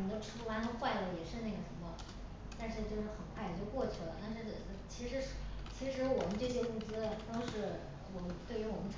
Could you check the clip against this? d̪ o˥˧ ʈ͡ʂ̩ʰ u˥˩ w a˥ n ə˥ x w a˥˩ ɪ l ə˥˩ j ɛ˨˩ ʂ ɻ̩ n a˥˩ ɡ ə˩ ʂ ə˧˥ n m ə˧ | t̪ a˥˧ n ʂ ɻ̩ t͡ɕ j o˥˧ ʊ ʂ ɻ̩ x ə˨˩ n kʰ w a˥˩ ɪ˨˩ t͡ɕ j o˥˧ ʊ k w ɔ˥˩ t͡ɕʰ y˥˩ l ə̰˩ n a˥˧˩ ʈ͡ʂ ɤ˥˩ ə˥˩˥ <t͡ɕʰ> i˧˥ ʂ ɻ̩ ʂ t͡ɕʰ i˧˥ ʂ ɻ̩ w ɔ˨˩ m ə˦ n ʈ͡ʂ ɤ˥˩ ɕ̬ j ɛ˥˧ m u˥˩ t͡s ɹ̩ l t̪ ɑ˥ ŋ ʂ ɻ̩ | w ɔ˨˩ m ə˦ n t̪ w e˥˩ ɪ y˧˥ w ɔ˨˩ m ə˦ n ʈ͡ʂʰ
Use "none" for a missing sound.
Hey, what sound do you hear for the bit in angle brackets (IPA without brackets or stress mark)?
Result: t͡ɕʰ